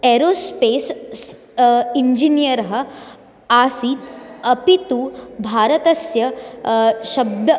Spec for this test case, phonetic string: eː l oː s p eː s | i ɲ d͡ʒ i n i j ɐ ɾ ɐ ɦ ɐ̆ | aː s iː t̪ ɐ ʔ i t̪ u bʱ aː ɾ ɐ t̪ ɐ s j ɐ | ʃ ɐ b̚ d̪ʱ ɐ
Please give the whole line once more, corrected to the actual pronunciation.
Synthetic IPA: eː ɾ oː s p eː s | i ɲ d͡ʒ i n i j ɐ ɾ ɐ ɦ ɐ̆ | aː s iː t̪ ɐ p i t̪ u bʱ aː ɾ ɐ t̪ ɐ s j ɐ | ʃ ɐ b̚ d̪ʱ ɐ